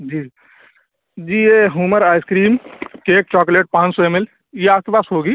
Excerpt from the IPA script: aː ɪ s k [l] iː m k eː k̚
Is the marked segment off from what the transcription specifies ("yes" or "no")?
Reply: yes